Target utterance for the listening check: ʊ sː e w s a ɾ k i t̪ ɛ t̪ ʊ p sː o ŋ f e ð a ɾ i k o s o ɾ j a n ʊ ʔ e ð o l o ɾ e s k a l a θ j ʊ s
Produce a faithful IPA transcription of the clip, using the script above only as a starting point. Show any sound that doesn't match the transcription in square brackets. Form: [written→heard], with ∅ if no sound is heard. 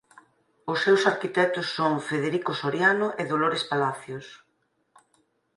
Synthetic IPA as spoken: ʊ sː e w s a ɾ k i t̪ ɛ t̪ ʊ [p→∅] sː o ŋ f e ð [a→e] ɾ i k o s o ɾ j a n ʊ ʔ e ð o l o ɾ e s [k→p] a l a θ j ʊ s